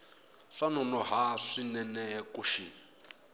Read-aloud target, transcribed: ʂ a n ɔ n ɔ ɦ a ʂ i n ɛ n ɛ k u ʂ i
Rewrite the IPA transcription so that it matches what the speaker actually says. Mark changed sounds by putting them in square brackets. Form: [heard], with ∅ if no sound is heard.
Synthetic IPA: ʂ a n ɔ n ɔ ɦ a ʂ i n ɛ n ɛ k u [ʃ] i